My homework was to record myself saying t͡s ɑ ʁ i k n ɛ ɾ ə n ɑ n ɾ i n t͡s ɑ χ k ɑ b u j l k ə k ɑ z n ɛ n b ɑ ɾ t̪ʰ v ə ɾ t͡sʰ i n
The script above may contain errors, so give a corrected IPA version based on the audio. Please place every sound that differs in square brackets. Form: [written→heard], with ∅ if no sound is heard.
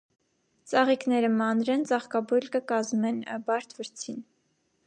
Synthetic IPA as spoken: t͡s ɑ ʁ i k n ɛ ɾ ə [n→m] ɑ n ɾ [i→ɛ] n t͡s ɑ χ k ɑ b u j l k ə k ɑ z [n→m] ɛ n b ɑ ɾ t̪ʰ v ə ɾ t͡sʰ i n